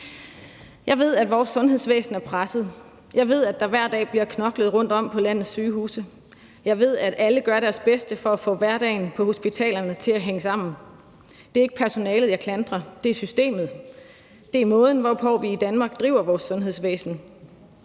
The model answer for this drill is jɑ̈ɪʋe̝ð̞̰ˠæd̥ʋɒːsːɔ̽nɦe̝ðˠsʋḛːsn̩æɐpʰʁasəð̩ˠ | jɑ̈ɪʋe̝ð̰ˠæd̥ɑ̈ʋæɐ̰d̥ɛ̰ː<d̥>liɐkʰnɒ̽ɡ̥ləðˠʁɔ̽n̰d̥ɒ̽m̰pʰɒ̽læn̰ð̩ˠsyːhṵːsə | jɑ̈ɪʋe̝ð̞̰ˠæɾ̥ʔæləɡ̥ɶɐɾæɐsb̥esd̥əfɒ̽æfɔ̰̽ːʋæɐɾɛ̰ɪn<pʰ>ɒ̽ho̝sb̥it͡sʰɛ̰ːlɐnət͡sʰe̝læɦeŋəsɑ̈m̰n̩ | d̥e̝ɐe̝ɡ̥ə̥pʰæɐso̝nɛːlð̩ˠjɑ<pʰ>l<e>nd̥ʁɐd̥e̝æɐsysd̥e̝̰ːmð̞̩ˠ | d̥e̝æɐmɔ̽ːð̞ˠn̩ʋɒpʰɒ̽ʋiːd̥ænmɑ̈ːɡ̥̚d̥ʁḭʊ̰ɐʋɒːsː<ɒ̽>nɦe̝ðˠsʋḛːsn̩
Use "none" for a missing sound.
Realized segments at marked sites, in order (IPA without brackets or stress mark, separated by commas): b̥, pʰ, kʰ, æ, ɔ̽